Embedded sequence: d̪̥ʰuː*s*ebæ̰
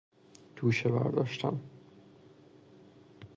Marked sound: incorrect: ʃ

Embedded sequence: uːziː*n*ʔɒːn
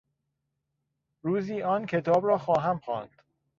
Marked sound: incorrect: none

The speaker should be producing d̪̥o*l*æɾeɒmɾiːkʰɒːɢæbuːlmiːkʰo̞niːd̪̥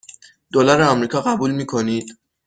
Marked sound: correct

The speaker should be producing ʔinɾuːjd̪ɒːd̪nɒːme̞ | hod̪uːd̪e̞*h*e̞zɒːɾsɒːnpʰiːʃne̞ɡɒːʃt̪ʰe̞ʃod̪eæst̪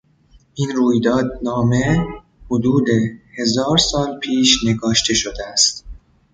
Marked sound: correct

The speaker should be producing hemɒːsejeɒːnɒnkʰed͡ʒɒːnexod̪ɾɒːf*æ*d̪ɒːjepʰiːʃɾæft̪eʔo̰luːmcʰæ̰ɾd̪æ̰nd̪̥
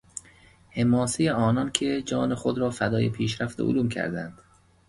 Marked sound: correct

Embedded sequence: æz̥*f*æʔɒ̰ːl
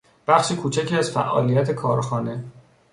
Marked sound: correct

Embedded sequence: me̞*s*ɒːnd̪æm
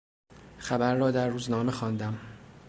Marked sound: incorrect: x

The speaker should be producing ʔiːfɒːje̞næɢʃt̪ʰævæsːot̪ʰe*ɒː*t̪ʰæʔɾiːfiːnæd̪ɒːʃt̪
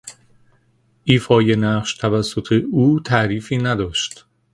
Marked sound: incorrect: uː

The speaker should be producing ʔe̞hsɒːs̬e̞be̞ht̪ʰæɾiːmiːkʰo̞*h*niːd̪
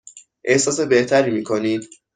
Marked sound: incorrect: none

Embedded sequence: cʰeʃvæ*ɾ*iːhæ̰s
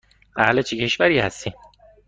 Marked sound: correct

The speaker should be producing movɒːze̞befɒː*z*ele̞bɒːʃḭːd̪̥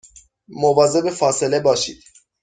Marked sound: incorrect: s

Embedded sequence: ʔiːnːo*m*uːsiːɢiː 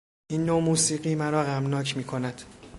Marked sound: correct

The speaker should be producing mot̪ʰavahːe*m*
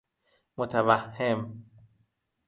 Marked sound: correct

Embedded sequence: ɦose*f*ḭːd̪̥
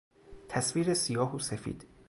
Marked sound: correct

